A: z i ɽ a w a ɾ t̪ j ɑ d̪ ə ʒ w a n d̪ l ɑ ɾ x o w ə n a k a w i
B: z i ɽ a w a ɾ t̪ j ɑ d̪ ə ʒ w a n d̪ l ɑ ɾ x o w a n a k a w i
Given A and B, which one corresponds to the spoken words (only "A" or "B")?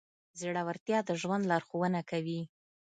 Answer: A